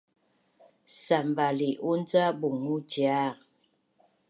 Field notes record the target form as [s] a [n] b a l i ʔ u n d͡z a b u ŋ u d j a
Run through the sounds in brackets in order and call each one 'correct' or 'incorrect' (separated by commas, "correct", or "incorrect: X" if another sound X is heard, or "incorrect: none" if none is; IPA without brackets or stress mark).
correct, incorrect: m